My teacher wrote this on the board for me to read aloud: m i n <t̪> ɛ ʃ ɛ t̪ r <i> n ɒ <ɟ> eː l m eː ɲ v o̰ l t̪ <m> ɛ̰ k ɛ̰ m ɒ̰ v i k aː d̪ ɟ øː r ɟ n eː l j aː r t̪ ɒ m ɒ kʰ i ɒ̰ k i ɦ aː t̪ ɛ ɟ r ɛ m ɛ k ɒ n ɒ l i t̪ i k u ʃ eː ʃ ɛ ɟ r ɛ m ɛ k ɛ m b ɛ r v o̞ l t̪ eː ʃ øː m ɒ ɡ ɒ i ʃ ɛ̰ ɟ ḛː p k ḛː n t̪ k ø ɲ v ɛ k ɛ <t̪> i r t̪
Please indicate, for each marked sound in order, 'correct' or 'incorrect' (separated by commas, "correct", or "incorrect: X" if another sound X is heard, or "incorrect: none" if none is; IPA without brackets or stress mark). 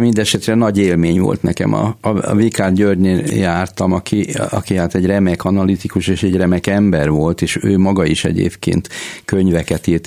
incorrect: d̪, incorrect: ɛ, correct, incorrect: n, correct